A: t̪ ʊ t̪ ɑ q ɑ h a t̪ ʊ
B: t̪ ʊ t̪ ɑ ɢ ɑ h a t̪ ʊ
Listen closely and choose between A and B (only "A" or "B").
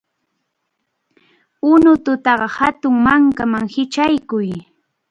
B